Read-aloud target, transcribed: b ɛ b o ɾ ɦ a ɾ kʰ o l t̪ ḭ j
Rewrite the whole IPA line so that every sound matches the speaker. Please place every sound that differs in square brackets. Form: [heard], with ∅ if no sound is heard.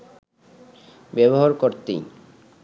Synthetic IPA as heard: b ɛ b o [∅] ɦ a ɾ [k] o [ɾ] t̪ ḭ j